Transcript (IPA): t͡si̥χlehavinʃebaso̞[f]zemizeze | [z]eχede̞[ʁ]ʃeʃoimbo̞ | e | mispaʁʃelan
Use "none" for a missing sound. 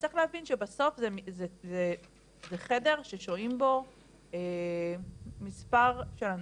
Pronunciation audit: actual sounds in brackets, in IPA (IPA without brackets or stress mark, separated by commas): f, z, ʁ